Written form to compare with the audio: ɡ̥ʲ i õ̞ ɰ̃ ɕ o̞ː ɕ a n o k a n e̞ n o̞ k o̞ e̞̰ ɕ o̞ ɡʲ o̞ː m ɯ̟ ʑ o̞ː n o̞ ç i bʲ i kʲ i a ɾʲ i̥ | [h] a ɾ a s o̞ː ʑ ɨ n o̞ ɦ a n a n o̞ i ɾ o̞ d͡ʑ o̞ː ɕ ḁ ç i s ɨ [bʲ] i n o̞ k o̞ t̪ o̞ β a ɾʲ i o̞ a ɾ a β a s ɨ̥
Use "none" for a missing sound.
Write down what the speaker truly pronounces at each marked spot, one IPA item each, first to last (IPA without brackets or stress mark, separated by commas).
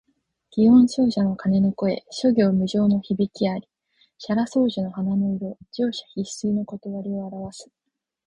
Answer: ɕ, none